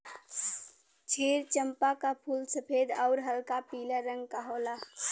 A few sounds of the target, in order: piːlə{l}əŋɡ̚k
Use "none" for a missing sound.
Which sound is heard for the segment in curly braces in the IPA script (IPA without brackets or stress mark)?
ɾ